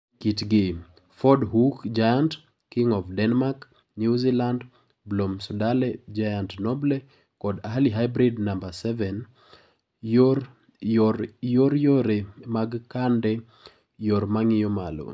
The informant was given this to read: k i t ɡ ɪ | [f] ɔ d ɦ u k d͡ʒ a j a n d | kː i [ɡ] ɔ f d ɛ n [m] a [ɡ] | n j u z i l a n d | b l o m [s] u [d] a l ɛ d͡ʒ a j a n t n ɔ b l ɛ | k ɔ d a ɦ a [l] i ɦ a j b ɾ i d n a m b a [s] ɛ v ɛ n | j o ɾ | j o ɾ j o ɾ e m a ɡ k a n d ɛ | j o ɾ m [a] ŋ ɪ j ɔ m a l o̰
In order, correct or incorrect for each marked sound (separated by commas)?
correct, incorrect, correct, incorrect, correct, correct, correct, correct, correct